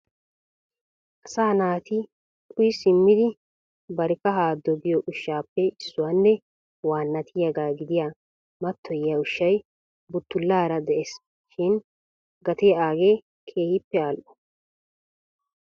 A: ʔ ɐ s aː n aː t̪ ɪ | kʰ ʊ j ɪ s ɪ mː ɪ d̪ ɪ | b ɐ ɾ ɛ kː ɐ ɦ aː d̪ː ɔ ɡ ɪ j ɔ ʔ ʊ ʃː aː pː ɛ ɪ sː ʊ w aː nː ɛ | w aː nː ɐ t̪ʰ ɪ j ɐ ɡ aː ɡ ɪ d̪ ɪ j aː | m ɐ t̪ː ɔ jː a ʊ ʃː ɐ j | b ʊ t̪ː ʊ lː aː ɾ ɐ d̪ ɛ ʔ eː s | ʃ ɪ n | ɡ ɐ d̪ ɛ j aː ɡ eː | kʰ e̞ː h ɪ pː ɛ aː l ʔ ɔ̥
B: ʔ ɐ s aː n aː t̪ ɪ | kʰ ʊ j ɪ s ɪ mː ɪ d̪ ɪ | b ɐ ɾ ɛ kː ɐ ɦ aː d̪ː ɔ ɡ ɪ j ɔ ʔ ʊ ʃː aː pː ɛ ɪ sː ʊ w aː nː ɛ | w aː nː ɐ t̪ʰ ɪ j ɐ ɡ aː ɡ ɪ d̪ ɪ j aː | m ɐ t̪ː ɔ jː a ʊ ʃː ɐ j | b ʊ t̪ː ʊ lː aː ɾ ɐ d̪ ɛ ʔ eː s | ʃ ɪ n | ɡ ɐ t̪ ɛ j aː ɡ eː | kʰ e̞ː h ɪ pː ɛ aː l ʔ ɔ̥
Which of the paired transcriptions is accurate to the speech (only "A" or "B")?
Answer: B